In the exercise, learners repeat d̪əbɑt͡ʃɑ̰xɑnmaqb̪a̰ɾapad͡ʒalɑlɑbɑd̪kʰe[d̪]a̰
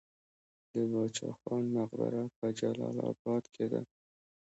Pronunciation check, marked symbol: correct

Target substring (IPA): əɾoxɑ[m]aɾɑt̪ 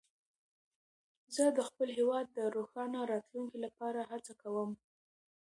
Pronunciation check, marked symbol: incorrect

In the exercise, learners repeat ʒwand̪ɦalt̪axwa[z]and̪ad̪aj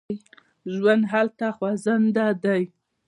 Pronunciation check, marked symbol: correct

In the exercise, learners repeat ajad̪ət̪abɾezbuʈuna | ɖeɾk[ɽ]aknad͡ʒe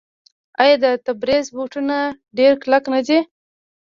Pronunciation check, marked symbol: incorrect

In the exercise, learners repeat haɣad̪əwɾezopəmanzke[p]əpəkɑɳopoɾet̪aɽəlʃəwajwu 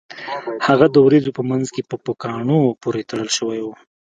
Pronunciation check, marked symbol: correct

